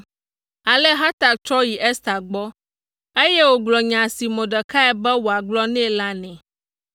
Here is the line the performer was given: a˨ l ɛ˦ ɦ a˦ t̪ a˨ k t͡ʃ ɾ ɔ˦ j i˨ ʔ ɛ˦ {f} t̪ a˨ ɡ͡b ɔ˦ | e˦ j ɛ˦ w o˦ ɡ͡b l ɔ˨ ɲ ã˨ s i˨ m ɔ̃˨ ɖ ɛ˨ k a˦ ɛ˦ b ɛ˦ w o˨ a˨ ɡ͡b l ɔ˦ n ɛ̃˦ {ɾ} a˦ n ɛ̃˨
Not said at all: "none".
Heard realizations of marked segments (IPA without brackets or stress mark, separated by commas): s, l